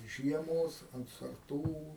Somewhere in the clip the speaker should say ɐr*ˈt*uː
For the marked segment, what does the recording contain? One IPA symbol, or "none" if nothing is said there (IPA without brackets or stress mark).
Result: t